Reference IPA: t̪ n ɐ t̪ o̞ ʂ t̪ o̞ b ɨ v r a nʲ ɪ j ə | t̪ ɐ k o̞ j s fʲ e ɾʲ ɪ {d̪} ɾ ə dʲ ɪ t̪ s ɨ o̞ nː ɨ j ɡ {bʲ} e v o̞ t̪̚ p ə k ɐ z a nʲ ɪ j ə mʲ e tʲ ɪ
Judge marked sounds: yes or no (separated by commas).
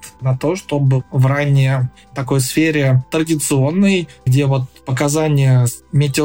no, no